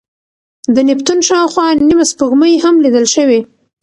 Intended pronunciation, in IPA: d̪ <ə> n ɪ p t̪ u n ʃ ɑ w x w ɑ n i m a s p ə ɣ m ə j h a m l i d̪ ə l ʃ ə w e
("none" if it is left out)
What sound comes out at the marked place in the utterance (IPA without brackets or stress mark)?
ə